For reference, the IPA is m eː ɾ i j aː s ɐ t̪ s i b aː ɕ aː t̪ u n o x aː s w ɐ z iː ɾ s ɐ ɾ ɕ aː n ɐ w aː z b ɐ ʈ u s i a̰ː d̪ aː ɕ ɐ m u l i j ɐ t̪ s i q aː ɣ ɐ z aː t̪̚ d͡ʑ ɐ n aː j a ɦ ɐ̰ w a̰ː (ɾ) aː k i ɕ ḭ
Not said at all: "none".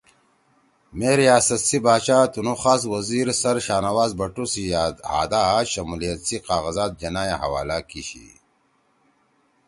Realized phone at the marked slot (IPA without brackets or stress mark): l